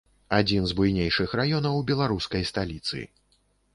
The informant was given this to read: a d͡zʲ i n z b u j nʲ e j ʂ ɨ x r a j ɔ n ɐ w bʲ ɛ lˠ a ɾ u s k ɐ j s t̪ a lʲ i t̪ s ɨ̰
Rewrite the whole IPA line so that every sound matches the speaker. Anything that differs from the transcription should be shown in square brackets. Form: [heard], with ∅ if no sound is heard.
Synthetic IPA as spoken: a d͡zʲ i n z b u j nʲ e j ʂ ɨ x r a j ɔ n ɐ w bʲ ɛ lˠ a ɾ u s k ɐ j s t̪ a lʲ i t̪ s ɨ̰